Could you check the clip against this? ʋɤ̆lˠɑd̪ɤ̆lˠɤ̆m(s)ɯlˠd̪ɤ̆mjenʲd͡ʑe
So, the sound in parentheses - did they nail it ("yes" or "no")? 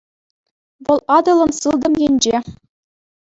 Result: yes